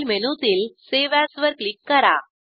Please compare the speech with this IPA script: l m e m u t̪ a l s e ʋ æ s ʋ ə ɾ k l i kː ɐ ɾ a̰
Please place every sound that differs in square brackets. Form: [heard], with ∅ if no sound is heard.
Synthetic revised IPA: l m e [n] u t̪ [i] l s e ʋ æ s ʋ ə ɾ k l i kː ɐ ɾ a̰